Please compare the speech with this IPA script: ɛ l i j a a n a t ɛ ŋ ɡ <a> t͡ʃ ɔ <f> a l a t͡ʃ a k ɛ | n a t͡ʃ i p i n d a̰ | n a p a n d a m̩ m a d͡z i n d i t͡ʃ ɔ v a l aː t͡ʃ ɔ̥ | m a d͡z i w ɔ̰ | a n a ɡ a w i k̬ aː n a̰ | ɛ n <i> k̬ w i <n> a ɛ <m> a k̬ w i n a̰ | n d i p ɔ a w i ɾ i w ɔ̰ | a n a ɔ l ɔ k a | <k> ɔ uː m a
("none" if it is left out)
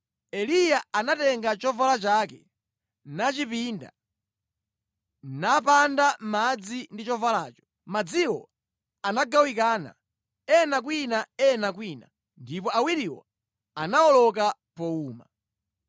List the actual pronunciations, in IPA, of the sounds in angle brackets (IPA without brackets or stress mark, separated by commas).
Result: a, v, a, n, n, p